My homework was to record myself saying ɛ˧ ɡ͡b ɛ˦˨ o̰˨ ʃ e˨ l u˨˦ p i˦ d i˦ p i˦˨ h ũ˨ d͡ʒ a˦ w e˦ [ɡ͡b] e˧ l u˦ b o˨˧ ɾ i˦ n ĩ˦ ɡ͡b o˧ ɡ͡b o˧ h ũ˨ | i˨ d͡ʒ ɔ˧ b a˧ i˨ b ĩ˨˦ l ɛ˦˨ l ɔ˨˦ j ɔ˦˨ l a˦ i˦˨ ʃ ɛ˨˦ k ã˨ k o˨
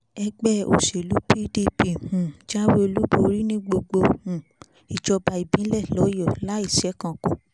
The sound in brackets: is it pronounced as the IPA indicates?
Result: no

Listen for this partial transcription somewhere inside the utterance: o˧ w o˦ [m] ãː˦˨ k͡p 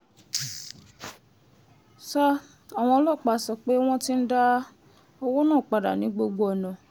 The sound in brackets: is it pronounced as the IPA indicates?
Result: no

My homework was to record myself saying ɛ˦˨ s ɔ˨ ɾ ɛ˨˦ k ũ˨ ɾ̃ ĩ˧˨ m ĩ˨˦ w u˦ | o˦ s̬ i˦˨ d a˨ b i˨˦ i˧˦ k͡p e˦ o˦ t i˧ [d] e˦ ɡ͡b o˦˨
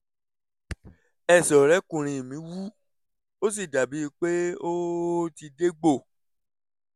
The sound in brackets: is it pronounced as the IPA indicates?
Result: yes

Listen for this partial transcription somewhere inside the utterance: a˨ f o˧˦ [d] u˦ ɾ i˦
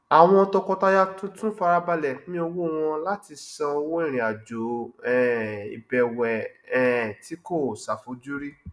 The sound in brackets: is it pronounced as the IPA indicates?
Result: no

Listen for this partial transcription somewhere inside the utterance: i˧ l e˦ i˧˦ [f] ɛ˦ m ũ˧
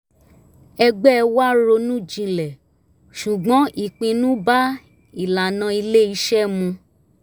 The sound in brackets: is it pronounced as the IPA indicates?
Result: no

